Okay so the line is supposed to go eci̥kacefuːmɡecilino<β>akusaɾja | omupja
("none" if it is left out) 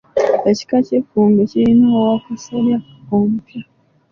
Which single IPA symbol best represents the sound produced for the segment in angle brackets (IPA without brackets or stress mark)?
w